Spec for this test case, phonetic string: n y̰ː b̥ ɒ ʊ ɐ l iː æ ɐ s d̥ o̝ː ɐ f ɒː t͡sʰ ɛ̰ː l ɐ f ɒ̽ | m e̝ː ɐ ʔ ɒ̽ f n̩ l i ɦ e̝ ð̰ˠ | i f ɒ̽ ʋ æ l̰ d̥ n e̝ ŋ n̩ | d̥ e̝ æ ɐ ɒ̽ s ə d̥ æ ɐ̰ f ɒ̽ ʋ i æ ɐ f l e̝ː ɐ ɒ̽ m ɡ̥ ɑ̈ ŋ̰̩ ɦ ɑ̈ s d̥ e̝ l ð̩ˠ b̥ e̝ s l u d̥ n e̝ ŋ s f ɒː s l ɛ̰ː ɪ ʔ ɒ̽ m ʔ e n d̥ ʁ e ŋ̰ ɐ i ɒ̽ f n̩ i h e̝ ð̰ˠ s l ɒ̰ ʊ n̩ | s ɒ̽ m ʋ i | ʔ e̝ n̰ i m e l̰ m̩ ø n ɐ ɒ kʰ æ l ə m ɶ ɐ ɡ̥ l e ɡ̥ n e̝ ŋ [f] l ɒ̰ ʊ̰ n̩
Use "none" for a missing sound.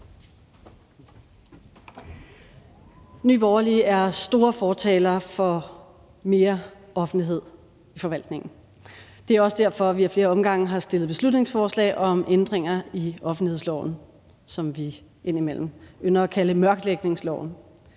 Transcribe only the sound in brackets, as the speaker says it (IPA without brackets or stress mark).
s